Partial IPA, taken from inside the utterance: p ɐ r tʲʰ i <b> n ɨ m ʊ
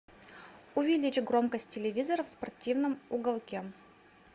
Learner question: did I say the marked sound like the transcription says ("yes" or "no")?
no